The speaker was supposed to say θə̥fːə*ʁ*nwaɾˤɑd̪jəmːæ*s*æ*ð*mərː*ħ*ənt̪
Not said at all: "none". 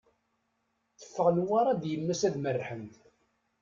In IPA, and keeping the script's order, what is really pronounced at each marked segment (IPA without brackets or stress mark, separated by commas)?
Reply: ʁ, s, ð, ħ